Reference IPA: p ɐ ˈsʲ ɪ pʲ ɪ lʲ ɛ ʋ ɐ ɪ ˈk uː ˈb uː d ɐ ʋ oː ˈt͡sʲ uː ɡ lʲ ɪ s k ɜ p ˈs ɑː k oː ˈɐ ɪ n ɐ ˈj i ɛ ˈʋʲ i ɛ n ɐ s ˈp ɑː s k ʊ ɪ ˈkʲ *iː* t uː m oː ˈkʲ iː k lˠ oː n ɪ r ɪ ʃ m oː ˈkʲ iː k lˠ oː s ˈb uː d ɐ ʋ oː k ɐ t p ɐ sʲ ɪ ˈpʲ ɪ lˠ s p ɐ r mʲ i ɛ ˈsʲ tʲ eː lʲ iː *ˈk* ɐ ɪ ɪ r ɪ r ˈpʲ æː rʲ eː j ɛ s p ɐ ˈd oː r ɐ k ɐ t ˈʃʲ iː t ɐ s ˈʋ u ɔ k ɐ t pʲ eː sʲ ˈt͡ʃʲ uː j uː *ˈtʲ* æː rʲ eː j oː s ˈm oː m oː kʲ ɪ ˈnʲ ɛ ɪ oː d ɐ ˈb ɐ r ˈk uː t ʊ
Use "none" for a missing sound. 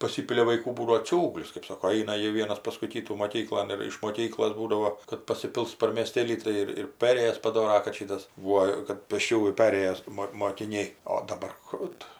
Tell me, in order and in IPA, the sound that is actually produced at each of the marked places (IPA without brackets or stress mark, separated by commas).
iː, t, pʲ